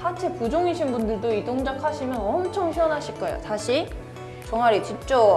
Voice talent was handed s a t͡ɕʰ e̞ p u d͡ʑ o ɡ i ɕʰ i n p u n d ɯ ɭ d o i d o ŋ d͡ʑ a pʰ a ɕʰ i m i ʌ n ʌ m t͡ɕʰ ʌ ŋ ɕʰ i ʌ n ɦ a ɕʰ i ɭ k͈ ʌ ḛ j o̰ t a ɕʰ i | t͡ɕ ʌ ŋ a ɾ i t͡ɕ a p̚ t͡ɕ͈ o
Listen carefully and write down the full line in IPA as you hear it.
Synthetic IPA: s a t͡ɕʰ e̞ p u d͡ʑ o ŋ i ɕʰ i n b u n d ɯ ɭ d o i d o ŋ d͡ʑ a kʰ a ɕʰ i m j ʌ n ʌ m t͡ɕʰ ʌ ŋ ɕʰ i ʌ n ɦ a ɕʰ i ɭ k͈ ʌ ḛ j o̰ t a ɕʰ i | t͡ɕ ʌ ŋ a ɾ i t͡ɕ i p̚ t͡ɕ͈ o